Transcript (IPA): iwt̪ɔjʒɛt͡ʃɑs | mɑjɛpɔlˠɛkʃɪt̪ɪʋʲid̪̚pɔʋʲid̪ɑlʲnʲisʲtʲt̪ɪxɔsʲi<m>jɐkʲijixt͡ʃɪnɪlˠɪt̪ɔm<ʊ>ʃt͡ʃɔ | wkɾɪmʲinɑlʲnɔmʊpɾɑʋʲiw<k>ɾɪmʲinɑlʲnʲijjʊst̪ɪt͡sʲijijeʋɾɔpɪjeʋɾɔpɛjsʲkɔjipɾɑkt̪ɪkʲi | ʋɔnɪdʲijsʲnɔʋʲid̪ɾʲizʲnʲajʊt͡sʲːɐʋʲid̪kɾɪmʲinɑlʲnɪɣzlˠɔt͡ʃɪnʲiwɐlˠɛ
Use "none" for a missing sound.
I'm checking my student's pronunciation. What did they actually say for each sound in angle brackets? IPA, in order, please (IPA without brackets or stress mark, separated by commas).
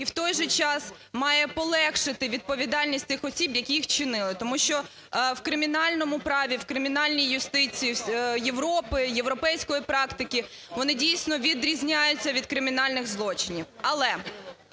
b, u, k